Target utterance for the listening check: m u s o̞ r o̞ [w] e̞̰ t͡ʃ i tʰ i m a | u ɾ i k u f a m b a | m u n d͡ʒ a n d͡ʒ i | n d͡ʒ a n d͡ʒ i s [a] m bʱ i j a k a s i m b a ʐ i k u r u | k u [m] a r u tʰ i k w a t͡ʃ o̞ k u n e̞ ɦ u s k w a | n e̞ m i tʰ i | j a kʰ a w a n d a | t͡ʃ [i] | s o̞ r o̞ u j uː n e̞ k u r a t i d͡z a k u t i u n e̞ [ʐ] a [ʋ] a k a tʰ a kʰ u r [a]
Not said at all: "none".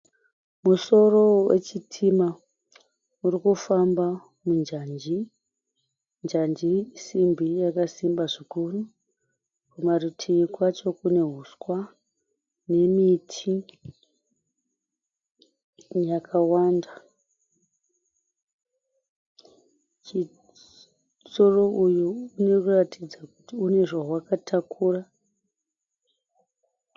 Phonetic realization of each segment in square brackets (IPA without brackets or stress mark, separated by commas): w, i, m, i, ʐ, w, a